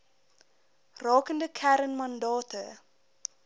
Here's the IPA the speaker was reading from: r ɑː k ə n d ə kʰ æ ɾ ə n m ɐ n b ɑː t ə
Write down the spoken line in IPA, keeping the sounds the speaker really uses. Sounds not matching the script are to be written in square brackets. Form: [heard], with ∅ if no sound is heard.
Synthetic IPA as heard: r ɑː k ə n d ə kʰ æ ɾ ə n m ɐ n [d] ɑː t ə

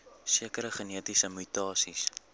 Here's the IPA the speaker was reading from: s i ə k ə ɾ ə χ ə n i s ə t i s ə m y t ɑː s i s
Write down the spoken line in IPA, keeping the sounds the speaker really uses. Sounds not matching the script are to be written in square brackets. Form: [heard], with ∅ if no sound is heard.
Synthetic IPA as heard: s i ə k ə ɾ ə χ ə n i [∅] ə t i s ə m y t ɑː s i s

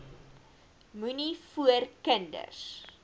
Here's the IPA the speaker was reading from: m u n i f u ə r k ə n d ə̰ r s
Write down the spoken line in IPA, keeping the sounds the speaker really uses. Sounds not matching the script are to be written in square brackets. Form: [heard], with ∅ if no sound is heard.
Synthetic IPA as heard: m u n i f u ə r k ə n d ə̰ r s

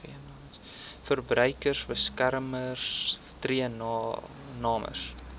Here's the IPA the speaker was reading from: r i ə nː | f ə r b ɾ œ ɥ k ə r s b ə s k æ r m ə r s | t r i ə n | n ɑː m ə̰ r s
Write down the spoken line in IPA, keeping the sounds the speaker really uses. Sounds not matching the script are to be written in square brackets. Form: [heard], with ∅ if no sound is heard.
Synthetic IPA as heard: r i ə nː | f ə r b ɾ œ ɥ k ə r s b ə s k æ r m ə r s | t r i ə n | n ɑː m ə̰ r s

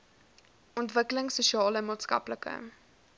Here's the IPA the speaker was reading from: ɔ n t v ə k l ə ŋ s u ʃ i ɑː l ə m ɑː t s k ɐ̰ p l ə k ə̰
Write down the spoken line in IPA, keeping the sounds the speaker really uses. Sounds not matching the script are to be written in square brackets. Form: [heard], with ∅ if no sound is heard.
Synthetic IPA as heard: ɔ n t v ə k l ə ŋ s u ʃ i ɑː l ə m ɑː t s k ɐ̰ p l ə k ə̰

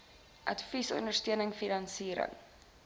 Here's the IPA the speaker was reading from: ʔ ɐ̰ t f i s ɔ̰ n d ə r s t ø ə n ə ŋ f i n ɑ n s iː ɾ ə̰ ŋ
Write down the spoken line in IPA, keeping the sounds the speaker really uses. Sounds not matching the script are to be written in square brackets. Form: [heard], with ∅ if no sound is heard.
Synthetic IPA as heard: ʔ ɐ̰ t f i s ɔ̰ n d ə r s t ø ə n ə ŋ f i n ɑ n s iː ɾ ə̰ ŋ

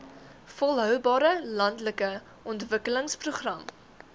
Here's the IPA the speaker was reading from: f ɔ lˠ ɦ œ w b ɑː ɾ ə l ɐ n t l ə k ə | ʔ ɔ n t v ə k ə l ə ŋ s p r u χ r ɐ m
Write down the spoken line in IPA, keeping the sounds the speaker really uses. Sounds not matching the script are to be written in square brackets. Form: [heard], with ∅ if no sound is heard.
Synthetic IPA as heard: f ɔ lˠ ɦ œ w b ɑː ɾ ə l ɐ n t l ə k ə | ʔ ɔ n t v ə k ə l ə ŋ s p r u χ r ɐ m

